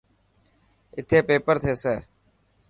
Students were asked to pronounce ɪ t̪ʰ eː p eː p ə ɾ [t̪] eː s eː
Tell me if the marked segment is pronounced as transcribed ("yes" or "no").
no